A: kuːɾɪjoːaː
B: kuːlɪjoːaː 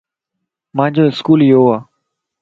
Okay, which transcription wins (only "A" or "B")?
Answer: B